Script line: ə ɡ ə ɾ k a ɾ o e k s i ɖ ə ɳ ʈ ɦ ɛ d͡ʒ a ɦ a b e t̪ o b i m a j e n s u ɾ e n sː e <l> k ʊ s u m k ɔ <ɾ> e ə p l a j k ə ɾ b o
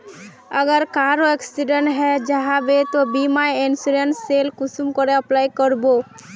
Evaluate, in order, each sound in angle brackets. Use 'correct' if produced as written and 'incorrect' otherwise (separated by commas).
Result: correct, correct